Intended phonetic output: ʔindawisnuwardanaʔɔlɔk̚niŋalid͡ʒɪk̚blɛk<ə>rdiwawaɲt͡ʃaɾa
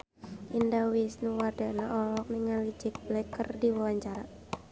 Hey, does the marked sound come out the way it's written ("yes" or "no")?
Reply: yes